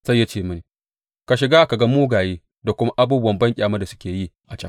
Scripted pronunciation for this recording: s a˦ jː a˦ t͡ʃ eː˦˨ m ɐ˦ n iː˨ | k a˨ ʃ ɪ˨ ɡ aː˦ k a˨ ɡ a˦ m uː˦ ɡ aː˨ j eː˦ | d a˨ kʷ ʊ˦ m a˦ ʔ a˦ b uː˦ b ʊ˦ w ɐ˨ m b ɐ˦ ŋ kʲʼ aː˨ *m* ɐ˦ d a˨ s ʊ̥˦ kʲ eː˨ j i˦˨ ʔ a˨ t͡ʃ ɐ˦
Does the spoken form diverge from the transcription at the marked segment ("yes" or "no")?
no